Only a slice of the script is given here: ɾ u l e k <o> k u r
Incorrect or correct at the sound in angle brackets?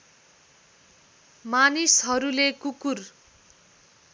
incorrect: u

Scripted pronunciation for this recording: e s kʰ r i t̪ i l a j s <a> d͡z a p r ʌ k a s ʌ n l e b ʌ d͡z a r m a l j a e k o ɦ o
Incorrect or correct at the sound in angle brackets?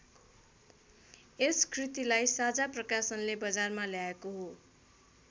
correct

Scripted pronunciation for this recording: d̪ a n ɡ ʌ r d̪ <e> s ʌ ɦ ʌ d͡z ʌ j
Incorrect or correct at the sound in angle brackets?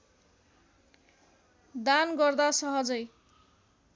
incorrect: a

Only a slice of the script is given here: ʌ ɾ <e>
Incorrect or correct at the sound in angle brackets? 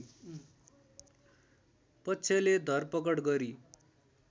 incorrect: i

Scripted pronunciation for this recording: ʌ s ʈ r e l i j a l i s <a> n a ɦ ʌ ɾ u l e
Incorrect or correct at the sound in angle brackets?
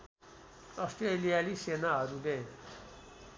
incorrect: e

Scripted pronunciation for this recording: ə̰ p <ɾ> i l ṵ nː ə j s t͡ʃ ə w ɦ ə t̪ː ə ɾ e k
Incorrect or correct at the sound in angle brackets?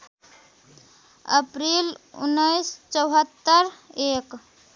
correct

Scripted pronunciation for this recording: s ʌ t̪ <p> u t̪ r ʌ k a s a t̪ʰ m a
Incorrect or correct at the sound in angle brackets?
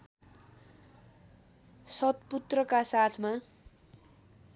correct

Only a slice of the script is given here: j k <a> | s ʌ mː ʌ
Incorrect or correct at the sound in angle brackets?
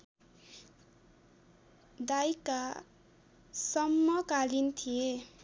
correct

